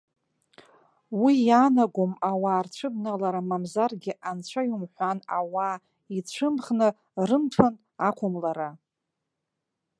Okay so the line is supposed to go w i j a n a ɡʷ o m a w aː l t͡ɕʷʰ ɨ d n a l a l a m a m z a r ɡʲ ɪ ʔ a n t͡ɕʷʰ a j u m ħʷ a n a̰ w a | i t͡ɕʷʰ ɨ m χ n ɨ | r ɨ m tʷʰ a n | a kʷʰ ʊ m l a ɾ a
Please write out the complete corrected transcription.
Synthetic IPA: w i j a n a ɡʷ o m a w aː r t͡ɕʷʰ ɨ b n a l a ɾ a m a m z a r ɡʲ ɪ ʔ a n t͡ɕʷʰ a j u m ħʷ a n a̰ w a | i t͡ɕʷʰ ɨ m χ n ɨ | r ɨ m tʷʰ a n | a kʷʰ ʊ m l a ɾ a